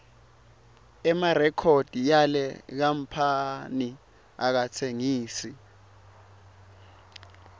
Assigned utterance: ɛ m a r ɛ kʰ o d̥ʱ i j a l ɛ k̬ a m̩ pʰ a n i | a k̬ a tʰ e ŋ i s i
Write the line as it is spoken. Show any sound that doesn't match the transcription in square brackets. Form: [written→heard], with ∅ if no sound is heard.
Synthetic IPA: ɛ m a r ɛ kʰ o d̥ʱ i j a l ɛ k̬ a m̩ pʰ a n i | a k̬ a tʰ e ŋ [i→iː] s i